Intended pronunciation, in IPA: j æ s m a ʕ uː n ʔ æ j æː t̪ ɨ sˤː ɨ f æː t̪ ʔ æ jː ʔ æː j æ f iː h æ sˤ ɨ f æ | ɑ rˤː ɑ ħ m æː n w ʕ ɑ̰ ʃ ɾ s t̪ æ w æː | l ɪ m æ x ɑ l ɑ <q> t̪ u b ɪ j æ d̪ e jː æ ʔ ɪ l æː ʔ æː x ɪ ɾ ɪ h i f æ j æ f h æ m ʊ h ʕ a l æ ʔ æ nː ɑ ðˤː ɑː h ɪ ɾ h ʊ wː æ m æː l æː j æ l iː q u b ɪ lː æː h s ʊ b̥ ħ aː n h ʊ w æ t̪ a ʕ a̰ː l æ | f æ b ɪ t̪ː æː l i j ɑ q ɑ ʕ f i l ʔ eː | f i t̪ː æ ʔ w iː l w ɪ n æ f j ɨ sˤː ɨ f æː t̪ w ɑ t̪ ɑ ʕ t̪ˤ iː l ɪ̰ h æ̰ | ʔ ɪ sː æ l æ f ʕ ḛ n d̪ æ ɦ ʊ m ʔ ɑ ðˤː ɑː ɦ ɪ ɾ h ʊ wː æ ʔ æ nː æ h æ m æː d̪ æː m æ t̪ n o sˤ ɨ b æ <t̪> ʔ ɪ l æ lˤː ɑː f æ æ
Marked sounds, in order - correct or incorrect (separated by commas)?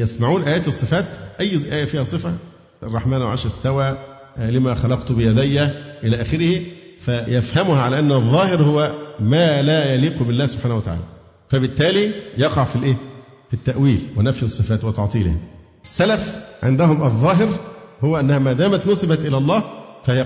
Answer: correct, correct